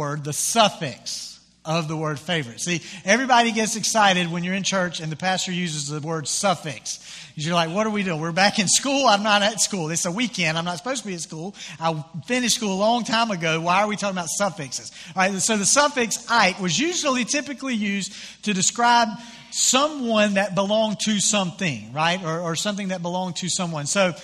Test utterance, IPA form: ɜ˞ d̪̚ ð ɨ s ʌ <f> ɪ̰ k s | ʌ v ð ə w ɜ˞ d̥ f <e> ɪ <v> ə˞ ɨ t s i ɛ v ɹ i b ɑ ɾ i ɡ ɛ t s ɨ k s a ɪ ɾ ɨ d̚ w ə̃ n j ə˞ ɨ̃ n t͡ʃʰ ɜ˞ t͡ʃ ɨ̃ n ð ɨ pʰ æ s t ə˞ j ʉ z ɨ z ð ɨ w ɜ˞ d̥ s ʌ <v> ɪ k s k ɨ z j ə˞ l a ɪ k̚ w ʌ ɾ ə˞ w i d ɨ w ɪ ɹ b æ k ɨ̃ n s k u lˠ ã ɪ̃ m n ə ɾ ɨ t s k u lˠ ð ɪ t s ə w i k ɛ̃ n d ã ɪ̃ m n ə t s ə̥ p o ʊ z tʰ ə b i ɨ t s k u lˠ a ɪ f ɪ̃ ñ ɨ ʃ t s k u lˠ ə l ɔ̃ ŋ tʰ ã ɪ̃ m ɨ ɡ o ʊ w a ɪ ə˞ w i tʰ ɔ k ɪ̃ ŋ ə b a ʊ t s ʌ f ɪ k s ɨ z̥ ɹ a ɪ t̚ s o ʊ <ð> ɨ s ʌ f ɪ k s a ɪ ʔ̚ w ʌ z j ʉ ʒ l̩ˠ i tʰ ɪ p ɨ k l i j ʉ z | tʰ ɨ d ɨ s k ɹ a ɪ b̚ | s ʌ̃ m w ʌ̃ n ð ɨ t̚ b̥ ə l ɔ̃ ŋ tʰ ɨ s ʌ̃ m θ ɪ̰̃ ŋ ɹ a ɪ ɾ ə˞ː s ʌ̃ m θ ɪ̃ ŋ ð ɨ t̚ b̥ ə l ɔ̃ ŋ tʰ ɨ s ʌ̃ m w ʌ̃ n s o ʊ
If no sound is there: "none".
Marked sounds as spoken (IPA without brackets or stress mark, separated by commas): f, e, v, f, ð